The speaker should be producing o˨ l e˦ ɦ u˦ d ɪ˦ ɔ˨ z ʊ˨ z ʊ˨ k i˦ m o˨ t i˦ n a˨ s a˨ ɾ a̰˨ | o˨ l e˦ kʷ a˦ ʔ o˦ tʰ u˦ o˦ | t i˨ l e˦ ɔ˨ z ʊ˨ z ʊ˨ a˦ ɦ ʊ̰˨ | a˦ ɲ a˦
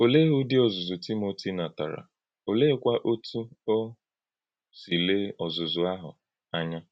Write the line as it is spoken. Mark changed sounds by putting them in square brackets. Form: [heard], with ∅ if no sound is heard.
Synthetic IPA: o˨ l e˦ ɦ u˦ d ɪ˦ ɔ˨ z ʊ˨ z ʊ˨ [t] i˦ m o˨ t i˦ n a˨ [t] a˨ ɾ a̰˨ | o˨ l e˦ kʷ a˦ ʔ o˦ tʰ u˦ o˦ | [s] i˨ l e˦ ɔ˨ z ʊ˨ z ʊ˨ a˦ ɦ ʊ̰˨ | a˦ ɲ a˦